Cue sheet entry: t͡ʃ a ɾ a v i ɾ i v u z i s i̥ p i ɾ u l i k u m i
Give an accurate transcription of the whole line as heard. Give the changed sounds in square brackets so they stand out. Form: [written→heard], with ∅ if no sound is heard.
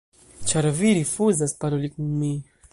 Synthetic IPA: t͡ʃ a ɾ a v i ɾ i [v→f] u z [i→a] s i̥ p [i→a] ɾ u l i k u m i